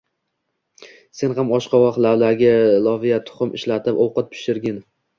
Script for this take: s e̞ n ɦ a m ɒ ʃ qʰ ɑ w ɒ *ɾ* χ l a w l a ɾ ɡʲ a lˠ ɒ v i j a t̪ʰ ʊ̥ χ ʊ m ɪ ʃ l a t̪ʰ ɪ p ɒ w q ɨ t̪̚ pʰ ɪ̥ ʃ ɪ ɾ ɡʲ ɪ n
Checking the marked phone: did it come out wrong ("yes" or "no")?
yes